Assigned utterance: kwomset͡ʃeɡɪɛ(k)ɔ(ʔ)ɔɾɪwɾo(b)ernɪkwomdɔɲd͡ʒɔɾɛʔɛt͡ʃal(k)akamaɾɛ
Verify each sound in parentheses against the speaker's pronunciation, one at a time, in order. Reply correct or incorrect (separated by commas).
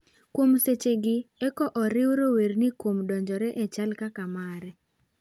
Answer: correct, correct, incorrect, correct